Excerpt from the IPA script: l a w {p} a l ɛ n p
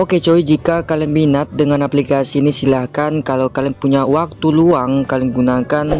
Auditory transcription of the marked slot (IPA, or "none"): k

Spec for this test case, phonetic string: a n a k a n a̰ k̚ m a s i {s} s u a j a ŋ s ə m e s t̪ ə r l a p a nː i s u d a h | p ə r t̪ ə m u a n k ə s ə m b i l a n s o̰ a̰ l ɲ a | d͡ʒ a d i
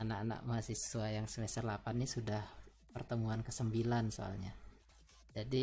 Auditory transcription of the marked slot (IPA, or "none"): s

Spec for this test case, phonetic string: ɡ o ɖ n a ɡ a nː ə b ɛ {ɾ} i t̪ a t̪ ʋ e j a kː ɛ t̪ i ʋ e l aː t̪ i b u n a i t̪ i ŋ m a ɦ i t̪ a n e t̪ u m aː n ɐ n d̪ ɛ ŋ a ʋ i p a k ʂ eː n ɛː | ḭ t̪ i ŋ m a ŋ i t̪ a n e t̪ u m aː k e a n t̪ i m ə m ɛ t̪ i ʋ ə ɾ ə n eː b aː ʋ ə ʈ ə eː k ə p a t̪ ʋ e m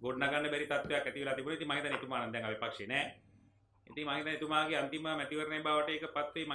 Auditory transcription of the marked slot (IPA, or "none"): ɾ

